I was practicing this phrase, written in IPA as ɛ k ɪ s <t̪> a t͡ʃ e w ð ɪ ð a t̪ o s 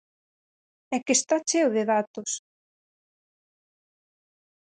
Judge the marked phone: correct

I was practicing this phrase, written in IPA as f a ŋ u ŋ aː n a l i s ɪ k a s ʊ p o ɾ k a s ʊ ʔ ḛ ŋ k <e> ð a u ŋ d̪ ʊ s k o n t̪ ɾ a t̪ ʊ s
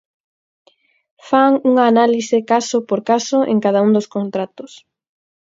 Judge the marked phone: incorrect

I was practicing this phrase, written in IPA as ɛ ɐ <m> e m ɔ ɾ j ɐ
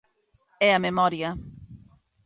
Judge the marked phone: correct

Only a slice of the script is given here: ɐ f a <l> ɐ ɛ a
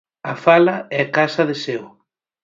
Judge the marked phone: correct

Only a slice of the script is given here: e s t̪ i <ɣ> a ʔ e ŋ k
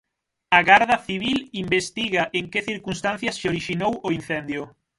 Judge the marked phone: correct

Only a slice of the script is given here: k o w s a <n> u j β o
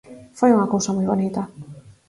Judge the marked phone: incorrect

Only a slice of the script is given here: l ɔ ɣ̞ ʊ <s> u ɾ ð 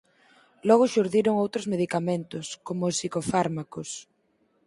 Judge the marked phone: incorrect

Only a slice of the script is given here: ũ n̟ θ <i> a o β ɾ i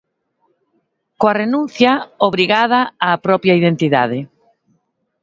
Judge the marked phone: incorrect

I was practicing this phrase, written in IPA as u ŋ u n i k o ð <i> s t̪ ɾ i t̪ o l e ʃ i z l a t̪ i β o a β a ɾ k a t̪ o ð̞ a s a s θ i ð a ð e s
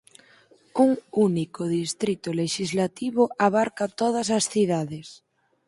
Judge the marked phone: correct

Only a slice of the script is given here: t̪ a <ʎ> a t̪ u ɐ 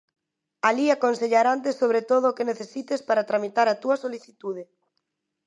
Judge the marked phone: incorrect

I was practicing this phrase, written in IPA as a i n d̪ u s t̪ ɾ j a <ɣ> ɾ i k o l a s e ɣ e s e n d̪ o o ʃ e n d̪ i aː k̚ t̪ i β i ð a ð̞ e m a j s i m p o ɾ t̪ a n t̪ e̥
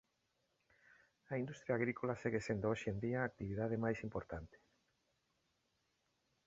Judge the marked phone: correct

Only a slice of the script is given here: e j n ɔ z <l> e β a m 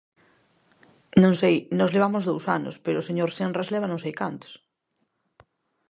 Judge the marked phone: correct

